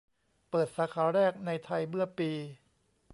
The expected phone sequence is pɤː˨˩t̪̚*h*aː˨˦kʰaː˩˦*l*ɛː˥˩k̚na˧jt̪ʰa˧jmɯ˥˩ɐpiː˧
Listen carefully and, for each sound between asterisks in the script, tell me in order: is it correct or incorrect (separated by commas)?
incorrect, incorrect